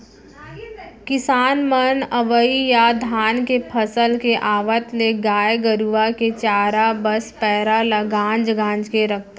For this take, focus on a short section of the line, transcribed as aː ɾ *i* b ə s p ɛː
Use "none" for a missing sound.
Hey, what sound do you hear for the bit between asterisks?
a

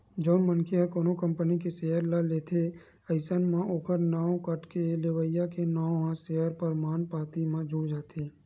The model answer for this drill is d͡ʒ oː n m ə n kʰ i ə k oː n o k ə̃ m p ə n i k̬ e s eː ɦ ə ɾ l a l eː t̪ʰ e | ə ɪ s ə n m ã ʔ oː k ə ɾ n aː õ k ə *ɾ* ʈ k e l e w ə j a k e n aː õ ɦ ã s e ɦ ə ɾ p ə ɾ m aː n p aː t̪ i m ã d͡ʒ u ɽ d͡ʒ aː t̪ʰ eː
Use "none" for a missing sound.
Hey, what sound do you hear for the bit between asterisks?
none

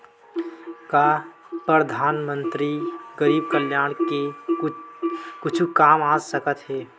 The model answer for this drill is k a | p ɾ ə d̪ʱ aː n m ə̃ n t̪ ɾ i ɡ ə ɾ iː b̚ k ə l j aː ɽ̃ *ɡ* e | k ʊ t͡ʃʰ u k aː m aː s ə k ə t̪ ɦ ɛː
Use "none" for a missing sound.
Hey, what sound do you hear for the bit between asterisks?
k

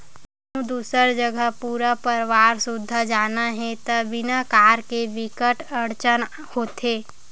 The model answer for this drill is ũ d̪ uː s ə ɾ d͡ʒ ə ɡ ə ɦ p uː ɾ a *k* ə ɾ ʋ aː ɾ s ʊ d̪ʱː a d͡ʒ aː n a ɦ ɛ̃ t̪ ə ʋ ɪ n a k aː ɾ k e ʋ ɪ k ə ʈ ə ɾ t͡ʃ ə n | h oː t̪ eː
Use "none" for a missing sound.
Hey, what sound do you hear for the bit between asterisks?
p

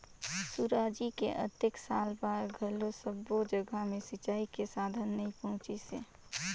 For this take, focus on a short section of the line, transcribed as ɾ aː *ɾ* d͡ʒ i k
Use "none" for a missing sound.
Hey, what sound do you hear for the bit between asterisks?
none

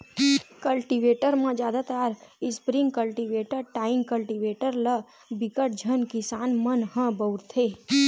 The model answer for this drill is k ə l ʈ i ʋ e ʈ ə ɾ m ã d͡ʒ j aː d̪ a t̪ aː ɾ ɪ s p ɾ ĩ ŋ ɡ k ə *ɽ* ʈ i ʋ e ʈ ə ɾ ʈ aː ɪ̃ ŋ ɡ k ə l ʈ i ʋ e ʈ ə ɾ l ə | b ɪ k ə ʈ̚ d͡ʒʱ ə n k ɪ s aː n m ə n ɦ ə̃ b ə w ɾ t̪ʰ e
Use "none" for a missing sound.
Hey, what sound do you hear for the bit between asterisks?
l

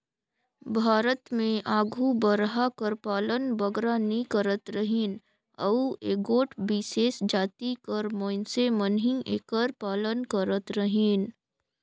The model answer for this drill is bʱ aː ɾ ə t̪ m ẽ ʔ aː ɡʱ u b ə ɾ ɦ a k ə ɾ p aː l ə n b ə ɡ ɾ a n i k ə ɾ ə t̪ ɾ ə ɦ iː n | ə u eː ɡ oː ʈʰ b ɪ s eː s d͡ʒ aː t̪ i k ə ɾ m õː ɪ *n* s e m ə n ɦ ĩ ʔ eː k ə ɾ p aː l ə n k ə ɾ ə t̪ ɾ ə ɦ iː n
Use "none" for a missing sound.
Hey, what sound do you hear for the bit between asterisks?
n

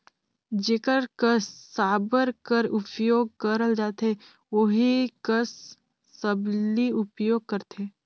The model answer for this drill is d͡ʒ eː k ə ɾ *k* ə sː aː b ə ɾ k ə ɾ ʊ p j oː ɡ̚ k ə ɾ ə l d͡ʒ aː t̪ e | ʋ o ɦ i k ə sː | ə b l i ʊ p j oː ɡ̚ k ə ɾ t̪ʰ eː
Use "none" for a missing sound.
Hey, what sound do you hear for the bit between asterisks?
k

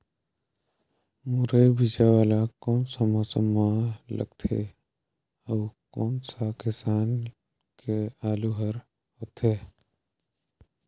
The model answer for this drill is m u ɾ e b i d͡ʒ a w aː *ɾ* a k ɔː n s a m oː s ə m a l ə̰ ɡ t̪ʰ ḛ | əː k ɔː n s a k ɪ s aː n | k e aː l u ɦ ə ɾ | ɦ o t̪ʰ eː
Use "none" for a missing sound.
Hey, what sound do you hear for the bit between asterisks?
l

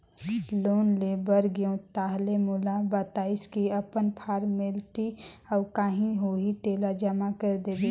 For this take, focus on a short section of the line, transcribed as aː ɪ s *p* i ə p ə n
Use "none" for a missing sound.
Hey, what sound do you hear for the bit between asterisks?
k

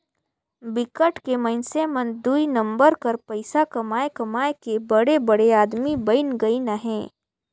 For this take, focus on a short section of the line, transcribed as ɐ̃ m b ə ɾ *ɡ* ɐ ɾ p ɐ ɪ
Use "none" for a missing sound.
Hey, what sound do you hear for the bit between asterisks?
k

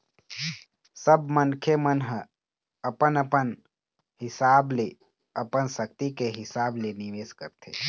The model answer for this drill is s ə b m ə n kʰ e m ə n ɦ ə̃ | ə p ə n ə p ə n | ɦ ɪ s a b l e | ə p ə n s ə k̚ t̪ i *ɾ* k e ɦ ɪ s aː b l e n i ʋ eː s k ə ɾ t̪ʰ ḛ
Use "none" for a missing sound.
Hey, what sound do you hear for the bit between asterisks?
none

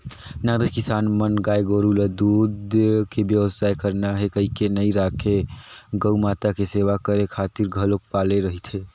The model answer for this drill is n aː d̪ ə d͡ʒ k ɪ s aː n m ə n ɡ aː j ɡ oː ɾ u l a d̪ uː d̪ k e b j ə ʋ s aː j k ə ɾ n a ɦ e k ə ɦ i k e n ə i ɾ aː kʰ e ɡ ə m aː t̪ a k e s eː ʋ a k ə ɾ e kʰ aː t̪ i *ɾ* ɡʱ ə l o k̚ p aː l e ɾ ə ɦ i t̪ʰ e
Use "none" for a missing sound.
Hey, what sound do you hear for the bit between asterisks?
ɾ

